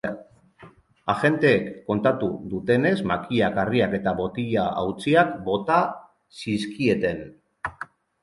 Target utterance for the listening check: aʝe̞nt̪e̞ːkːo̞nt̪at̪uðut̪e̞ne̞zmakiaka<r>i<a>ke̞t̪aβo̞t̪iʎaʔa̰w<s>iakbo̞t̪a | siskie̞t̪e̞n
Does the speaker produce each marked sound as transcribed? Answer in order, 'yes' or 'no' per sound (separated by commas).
yes, yes, no